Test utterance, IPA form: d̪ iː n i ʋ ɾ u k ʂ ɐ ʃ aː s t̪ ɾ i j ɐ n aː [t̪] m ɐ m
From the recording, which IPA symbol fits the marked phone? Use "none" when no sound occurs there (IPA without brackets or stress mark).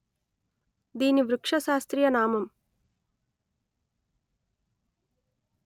none